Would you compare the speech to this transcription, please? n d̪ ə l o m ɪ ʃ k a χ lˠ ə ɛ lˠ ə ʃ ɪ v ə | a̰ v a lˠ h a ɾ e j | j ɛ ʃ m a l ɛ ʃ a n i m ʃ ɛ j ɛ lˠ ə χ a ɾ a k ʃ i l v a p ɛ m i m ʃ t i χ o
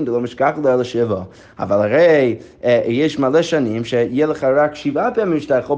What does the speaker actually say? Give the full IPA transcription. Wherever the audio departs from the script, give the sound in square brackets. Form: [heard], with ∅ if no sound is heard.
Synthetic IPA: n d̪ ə l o m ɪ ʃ k a χ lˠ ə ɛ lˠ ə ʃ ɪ v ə | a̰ v a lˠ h a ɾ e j | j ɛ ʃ m a l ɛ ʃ a n i m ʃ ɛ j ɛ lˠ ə χ a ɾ a k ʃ i [∅] v a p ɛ m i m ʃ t [a] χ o